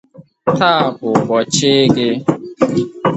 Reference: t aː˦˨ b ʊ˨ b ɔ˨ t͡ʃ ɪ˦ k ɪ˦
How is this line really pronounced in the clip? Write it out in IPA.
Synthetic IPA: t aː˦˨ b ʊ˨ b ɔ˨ t͡ʃ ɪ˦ ɡ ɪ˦